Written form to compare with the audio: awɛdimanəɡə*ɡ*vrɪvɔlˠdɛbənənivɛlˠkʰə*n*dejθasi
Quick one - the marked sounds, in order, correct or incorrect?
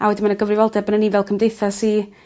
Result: incorrect, incorrect

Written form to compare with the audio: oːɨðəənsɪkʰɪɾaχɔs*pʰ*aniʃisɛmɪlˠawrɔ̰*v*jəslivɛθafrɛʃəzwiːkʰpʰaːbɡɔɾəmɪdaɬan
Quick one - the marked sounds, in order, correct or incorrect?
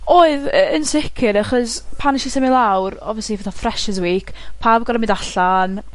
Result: correct, correct

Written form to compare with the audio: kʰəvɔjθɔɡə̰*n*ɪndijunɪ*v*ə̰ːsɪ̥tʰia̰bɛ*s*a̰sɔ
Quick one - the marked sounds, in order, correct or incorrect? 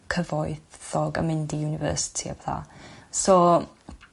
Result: incorrect, correct, incorrect

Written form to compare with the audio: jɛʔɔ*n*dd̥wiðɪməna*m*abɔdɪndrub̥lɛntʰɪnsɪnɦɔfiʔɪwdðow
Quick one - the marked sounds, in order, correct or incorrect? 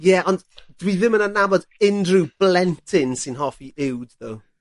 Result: correct, incorrect

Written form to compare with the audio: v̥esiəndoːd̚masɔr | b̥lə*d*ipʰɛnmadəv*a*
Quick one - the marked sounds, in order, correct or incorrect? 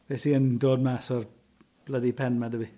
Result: correct, incorrect

